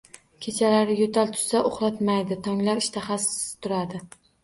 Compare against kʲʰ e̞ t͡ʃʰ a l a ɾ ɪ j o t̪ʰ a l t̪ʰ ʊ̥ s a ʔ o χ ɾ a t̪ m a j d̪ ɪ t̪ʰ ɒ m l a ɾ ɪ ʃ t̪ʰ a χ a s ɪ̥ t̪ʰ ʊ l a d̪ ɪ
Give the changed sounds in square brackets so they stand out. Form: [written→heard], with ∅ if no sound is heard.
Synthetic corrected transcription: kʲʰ e̞ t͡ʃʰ a l a ɾ ɪ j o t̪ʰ a l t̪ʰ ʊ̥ s a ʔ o χ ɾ a t̪ m a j d̪ ɪ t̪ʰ ɒ [m→ŋ] l a ɾ ɪ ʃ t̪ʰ a χ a s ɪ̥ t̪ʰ ʊ [l→ɾ] a d̪ ɪ